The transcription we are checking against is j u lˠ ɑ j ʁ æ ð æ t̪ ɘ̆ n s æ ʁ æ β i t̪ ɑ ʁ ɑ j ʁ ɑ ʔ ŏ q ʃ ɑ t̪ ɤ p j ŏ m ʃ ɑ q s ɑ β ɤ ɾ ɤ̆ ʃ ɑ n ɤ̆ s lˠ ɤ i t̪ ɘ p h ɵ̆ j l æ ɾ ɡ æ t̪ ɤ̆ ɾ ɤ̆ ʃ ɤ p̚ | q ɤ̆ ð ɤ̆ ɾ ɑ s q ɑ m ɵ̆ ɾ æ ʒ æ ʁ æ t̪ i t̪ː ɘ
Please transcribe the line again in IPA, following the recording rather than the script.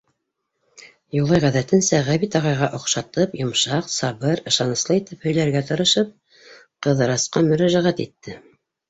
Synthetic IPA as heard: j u lˠ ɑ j ʁ æ ð æ t̪ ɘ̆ n s æ ʁ æ β i t̪ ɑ ʁ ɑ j ʁ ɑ ʔ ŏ q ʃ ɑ t̪ ɤ p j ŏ m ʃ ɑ q s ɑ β ɤ ɾ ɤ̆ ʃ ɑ n ɤ̆ s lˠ ɤ i t̪ ɘ p h ɵ̆ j l æ ɾ ɡ æ t̪ ɤ̆ ɾ ɤ̆ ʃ ɤ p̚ | q ɤ̆ ð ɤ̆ ɾ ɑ s q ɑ m ɵ̆ ɾ æ ʒ æ ʁ æ t̪ i t̪ː ɘ

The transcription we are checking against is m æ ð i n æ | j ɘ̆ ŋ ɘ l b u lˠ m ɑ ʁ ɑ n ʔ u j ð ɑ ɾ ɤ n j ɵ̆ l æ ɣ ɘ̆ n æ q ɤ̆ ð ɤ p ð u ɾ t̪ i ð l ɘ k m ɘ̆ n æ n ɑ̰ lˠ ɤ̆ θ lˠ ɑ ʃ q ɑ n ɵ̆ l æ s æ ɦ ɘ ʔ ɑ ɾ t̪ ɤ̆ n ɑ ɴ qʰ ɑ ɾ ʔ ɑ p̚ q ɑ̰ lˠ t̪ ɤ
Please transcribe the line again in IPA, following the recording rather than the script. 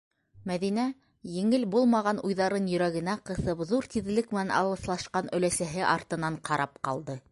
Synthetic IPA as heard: m æ ð i n æ | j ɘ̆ ŋ ɘ l b u lˠ m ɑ ʁ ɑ n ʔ u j ð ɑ ɾ ɤ n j ɵ̆ ɾ æ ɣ ɘ̆ n æ q ɤ̆ θ ɤ p ð u ɾ t̪ i ð l ɘ k m ɘ̆ n æ n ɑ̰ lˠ ɤ̆ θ lˠ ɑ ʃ q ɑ n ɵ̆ l æ s æ ɦ ɘ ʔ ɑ ɾ t̪ ɤ̆ n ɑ ɴ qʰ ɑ ɾ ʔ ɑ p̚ q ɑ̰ lˠ d̪ ɤ

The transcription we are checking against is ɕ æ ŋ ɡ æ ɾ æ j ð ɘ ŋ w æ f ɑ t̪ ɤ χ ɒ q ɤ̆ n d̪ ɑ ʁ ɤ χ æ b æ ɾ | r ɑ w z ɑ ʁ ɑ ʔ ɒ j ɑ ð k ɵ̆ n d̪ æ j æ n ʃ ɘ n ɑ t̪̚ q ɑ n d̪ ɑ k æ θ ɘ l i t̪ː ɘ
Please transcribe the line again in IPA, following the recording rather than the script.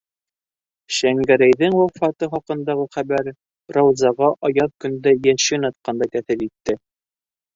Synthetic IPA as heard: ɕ æ ŋ ɡ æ ɾ æ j ð ɘ ŋ w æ f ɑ t̪ ɤ χ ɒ q ɤ̆ n d̪ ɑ ʁ ɤ χ æ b æ ɾ | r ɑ w z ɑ ʁ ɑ ʔ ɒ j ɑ ð k ɵ̆ n d̪ æ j æ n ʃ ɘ n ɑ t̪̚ q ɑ n d̪ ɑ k æ θ ɘ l i t̪ː ɘ

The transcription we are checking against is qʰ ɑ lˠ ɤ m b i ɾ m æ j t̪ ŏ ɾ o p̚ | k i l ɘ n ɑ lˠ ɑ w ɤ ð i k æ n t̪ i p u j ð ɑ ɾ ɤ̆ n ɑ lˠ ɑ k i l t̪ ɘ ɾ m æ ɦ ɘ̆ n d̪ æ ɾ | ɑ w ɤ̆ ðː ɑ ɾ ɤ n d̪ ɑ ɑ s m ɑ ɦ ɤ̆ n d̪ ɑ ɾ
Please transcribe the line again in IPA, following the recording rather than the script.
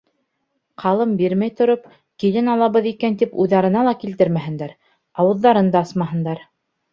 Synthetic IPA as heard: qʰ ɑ lˠ ɤ m b i ɾ m æ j t̪ ŏ ɾ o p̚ | k i l ɘ n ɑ lˠ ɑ β ɤ ð i k æ n t̪ i p u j ð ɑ ɾ ɤ̆ n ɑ lˠ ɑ k i l t̪ ɘ ɾ m æ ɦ ɘ̆ n d̪ æ ɾ | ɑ w ɤ̆ ðː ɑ ɾ ɤ n d̪ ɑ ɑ s m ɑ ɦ ɤ̆ n d̪ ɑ ɾ

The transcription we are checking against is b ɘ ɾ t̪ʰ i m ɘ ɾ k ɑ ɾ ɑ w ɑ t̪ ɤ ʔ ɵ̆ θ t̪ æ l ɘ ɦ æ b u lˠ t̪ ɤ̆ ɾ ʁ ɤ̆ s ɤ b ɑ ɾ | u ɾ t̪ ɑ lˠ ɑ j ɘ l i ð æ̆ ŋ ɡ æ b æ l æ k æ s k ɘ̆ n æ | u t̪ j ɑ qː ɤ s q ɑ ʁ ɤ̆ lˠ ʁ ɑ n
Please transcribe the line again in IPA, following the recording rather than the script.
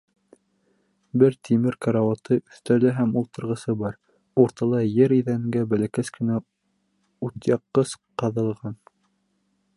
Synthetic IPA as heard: b ɘ ɾ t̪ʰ i m ɘ ɾ k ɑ ɾ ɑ w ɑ t̪ ɤ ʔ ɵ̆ θ t̪ æ l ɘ ɦ æ m u lˠ t̪ ɤ̆ ɾ ʁ ɤ̆ s ɤ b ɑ ɾ | u ɾ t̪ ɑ lˠ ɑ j ɘ ɾ i ð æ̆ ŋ ɡ æ b æ l æ k æ s k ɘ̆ n æ | u t̪ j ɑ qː ɤ s q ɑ ð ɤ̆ lˠ ʁ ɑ n

